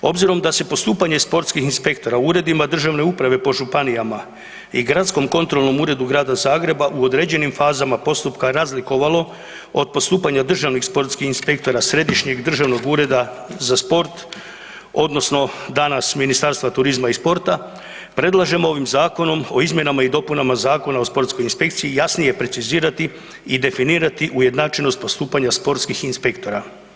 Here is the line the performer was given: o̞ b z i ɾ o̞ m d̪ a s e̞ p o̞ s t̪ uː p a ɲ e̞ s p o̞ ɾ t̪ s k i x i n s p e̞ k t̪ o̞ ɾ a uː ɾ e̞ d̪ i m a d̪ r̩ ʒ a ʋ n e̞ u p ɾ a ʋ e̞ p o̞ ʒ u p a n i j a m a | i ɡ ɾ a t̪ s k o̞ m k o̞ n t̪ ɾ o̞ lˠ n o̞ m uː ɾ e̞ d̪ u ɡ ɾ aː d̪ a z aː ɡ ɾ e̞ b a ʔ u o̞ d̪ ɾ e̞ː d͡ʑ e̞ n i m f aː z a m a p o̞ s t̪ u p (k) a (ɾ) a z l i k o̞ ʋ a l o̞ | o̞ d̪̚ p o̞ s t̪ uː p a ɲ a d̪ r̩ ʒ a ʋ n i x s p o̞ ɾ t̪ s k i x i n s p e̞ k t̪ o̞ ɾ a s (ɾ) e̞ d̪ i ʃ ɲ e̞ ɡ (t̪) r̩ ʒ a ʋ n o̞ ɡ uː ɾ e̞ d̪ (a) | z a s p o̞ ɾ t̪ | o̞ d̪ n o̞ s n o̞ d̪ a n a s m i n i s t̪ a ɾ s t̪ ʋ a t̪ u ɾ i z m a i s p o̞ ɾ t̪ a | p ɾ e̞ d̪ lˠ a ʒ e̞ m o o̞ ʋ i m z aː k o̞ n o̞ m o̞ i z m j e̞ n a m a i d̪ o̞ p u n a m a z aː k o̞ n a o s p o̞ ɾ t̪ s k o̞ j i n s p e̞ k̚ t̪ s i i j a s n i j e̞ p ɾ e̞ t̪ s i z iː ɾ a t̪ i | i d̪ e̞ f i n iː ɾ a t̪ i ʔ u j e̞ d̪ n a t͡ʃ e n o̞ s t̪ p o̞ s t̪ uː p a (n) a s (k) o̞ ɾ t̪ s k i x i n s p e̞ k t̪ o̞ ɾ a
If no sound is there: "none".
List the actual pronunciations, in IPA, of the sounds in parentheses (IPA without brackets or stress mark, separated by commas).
k, ɾ, ɾ, d̪, a, ɲ, p